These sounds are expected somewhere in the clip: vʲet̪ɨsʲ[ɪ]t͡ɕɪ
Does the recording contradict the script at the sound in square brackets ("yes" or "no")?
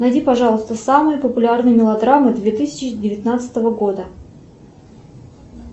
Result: no